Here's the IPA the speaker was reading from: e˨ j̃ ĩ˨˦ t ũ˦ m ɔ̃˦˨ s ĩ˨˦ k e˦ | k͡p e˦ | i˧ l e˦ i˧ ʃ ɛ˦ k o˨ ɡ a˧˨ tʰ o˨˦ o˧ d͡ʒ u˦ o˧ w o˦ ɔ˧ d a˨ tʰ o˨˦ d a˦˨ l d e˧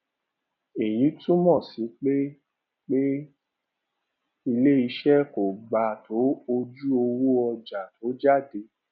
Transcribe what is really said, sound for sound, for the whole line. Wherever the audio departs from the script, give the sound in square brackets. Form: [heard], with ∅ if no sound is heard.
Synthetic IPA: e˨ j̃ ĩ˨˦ t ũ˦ m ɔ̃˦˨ s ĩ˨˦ [k͡p] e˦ | k͡p e˦ | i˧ l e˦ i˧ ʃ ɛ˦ k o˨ [ɡ͡b] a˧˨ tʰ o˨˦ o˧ d͡ʒ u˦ o˧ w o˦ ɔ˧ [d͡ʒ] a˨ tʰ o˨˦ [d͡ʒ] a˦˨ [∅] d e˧